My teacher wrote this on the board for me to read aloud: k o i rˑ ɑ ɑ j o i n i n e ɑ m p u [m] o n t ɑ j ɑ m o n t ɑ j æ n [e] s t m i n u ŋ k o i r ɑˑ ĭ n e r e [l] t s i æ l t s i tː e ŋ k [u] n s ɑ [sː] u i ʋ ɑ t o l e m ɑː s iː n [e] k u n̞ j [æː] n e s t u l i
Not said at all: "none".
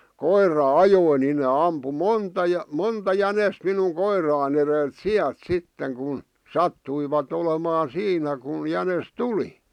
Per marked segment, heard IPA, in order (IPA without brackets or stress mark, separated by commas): m, e, l, u, tː, æ, æ